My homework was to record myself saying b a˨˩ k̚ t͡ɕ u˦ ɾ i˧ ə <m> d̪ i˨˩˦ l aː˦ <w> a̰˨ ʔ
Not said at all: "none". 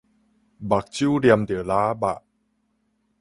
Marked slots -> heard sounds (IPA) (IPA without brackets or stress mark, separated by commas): m, b